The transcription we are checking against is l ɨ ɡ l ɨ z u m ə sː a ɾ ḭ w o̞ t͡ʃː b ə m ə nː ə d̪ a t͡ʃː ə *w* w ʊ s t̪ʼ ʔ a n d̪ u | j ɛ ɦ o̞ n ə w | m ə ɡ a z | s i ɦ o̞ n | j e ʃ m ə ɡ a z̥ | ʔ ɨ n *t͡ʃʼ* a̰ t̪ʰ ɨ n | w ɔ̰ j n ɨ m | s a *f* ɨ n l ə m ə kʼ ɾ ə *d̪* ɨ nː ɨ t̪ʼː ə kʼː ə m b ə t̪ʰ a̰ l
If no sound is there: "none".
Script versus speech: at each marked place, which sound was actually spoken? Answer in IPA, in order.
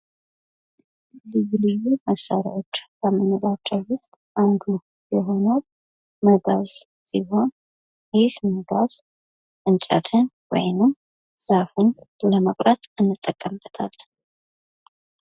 w, t͡ʃʼ, f, t̪

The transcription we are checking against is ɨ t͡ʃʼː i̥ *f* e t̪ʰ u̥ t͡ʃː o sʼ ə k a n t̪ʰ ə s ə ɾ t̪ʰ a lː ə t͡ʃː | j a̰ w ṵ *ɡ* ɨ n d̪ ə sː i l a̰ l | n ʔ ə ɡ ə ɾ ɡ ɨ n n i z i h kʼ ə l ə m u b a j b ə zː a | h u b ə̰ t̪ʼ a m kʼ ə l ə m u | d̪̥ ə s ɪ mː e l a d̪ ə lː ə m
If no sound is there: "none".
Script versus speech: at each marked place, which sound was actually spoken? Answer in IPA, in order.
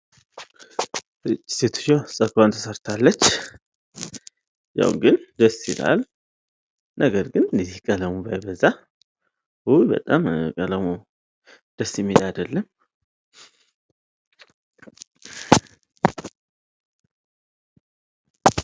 s, ɡ

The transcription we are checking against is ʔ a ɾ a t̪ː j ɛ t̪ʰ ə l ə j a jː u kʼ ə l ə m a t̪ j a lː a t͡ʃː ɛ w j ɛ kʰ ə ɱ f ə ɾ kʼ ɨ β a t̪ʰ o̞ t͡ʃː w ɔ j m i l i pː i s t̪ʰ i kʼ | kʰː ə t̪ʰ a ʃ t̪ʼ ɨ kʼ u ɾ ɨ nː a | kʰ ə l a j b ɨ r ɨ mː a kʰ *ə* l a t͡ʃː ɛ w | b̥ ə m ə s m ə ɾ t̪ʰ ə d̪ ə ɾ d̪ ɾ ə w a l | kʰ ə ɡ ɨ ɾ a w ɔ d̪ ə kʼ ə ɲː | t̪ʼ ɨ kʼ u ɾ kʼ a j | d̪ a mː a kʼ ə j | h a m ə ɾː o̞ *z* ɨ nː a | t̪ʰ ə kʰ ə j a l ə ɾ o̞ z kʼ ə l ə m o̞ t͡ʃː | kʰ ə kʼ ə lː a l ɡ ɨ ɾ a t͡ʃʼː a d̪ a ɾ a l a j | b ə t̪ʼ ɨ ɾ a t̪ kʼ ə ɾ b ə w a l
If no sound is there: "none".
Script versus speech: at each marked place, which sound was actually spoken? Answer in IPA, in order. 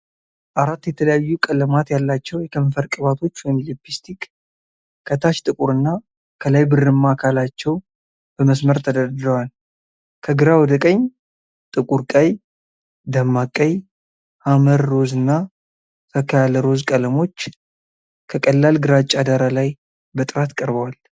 a, z

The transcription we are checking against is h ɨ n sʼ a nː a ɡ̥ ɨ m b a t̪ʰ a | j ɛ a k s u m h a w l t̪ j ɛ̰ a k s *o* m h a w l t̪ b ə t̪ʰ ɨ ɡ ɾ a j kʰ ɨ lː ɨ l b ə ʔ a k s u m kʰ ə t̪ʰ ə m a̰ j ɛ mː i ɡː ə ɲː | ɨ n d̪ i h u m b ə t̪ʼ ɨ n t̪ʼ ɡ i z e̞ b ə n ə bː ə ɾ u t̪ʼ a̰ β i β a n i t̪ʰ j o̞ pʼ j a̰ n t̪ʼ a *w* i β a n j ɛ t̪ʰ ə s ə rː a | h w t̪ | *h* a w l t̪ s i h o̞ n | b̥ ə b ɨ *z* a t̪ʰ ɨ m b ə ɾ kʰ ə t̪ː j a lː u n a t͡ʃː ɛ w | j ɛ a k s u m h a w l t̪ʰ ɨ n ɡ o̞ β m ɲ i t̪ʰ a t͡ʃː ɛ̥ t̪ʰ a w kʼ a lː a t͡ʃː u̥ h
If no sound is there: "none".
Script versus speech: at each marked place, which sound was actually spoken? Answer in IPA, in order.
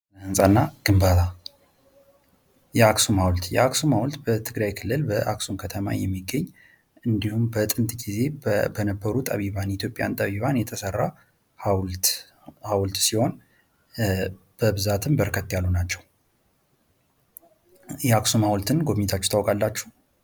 u, β, h, z

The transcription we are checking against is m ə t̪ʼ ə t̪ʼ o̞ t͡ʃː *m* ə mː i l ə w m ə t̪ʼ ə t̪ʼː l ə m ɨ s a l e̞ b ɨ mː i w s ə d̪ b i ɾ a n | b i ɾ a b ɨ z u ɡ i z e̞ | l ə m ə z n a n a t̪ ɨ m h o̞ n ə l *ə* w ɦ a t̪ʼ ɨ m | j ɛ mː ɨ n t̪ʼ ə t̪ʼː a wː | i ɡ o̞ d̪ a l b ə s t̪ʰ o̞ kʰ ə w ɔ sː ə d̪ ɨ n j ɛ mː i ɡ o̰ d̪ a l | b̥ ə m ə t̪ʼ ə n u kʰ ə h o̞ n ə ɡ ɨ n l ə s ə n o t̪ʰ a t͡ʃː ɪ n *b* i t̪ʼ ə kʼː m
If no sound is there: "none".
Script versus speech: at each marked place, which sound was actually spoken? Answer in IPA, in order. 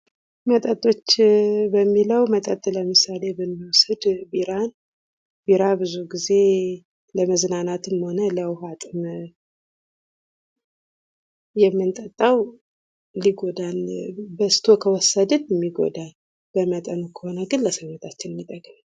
b, ə, m

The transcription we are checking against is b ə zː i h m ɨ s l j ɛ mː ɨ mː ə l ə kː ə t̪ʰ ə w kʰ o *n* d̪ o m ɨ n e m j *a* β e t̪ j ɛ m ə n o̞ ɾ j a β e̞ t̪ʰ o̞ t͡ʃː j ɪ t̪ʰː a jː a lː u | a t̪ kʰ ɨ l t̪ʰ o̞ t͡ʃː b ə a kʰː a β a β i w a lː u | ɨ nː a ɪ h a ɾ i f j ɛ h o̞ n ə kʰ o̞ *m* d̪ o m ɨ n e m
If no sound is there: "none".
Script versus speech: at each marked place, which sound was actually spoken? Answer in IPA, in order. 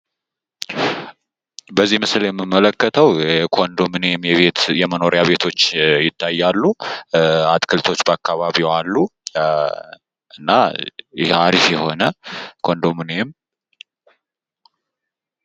n, ɛ, n

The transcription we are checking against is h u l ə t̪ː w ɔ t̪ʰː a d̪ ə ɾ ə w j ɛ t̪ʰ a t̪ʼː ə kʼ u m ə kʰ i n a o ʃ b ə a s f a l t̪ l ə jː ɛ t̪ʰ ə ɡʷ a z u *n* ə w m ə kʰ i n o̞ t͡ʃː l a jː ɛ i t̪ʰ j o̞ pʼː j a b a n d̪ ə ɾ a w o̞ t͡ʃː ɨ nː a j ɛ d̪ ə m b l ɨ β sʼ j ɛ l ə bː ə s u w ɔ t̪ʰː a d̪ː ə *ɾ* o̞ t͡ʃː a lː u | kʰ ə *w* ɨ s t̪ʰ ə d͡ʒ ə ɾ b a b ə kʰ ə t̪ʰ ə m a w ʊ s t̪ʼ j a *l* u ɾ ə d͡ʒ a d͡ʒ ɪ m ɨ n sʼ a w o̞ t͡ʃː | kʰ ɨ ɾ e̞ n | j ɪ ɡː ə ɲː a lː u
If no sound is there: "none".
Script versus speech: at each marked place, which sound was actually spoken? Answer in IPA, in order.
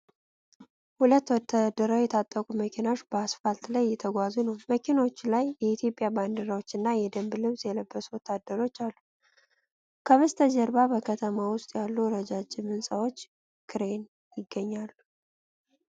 n, ɾ, β, lː

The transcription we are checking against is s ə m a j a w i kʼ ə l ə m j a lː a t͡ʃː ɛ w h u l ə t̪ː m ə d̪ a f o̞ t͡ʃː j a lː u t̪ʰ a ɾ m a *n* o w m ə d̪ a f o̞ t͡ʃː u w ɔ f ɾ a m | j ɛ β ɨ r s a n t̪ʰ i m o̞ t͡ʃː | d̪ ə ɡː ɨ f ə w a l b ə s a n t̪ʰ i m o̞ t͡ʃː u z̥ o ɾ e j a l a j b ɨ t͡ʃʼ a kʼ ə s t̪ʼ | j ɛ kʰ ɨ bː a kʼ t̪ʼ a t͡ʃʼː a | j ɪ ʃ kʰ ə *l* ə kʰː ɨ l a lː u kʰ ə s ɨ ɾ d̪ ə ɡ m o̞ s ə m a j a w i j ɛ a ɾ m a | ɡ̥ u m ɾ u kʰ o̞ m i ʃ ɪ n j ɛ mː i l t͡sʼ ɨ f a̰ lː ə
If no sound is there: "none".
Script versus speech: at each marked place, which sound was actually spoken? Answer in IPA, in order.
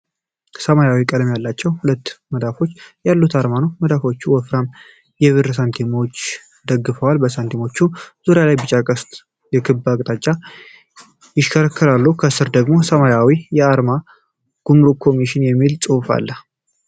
n, ɾ

